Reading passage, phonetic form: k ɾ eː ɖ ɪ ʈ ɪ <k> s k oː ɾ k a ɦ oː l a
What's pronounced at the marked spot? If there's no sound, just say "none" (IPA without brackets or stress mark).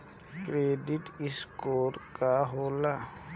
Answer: none